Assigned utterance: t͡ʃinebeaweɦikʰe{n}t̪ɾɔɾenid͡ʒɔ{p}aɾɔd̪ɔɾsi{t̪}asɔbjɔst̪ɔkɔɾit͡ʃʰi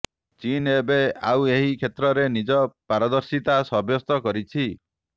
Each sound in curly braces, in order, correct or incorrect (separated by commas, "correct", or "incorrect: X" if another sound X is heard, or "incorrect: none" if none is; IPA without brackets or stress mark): incorrect: none, correct, correct